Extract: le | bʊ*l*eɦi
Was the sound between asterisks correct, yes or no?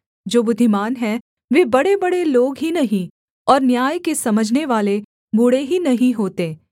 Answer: no